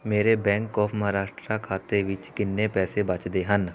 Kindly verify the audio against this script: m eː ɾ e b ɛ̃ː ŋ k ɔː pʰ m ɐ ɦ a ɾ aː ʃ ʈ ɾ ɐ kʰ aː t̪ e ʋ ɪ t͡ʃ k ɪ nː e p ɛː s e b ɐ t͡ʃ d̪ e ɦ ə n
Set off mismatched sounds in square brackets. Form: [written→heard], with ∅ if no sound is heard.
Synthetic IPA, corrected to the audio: m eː ɾ e b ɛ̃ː ŋ k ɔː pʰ m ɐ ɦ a ɾ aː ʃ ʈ ɾ [ɐ→a] kʰ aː t̪ e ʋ ɪ t͡ʃ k ɪ nː e p ɛː s e b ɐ t͡ʃ d̪ e ɦ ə n